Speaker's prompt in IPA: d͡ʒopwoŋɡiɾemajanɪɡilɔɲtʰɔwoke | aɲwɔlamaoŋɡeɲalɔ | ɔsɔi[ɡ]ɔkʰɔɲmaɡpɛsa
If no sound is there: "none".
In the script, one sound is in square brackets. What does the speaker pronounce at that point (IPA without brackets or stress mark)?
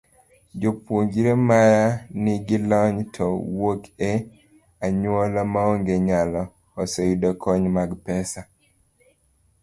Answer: d